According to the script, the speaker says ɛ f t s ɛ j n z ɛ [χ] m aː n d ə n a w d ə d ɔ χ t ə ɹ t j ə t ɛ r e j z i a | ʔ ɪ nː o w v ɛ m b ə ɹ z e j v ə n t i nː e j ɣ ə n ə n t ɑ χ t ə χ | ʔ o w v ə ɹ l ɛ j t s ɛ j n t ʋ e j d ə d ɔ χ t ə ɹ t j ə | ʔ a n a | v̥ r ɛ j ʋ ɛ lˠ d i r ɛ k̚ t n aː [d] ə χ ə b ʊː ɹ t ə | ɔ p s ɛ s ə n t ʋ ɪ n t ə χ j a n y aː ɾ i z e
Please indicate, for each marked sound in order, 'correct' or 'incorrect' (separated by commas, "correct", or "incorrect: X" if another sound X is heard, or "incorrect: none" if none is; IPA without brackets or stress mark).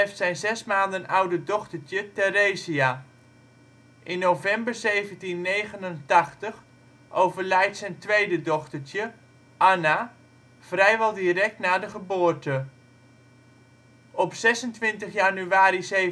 incorrect: s, correct